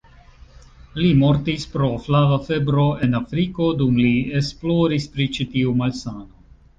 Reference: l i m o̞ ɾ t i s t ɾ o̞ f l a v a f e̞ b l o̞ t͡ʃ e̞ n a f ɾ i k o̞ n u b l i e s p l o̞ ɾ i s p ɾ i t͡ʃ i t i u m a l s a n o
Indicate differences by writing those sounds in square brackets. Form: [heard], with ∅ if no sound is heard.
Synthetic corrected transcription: l i m o̞ ɾ t i s [p] ɾ o̞ f l a v a f e̞ b [ɾ] o̞ [∅] e̞ n a f ɾ i k o̞ [d] u [m] l i e s p l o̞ ɾ i s p ɾ i t͡ʃ i t i u m a l s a n o